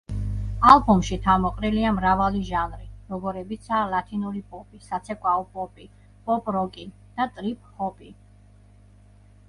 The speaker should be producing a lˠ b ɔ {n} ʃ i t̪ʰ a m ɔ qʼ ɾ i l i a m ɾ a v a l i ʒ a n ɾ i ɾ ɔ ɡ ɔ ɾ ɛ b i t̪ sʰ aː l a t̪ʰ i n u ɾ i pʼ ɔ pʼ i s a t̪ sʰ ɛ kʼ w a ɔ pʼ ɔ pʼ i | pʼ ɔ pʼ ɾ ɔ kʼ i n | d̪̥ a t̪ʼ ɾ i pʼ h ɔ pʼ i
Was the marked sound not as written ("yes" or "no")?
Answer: yes